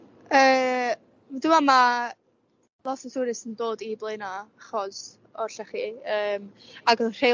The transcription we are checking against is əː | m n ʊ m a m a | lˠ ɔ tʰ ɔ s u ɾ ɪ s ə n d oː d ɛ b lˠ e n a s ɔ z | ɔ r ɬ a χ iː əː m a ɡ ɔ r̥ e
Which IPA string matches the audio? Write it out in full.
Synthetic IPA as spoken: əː | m d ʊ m a m a | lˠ ɔ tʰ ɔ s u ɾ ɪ s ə n d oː d i b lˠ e n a χ ɔ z | ɔ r ɬ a χ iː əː m a ɡ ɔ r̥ e